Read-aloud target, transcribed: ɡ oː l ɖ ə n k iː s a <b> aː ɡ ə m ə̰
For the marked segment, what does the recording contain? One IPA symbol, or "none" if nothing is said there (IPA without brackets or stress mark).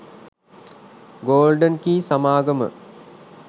m